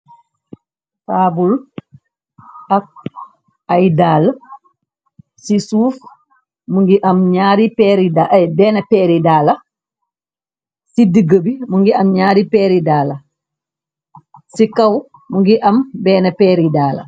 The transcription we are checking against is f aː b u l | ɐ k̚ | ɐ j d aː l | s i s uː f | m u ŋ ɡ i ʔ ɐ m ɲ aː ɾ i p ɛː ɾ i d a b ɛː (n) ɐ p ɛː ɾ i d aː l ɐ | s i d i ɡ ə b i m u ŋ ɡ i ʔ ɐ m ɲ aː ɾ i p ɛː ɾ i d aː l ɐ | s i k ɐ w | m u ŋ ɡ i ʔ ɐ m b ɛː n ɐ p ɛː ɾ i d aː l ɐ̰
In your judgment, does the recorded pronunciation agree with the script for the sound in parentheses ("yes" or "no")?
yes